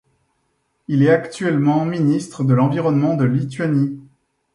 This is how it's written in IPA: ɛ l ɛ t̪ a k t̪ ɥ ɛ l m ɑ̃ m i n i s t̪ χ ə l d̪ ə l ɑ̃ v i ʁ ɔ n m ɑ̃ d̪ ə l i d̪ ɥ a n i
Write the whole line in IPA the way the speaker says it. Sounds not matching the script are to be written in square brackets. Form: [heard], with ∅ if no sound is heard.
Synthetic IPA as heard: [i] l ɛ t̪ a k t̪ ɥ ɛ l m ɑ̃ m i n i s t̪ χ ə [∅] d̪ ə l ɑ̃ v i ʁ ɔ n m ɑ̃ d̪ ə l i [t̪] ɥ a n i